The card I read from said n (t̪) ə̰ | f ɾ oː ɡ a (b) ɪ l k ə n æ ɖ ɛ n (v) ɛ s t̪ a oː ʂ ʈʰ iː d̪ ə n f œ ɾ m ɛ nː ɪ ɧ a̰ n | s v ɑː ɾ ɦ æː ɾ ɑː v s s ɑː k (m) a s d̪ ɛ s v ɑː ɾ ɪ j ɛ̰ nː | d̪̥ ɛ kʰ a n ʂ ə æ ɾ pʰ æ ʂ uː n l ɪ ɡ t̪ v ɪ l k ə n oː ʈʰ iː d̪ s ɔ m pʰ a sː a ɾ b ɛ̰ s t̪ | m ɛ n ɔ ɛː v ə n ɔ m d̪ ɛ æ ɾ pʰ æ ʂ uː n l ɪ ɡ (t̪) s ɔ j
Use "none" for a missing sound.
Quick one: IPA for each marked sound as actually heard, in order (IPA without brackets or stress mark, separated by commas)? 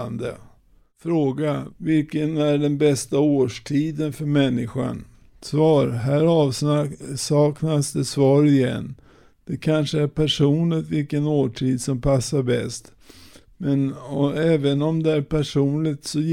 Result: d̪, v, b, n, t̪